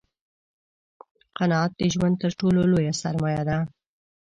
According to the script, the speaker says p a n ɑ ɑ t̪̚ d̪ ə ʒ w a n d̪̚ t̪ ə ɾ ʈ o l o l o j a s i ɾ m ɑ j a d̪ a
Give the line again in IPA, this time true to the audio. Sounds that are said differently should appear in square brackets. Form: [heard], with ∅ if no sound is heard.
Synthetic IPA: [q] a n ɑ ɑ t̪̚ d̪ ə ʒ w a n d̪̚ t̪ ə ɾ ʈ o l o l o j a s [a] ɾ m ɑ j a d̪ a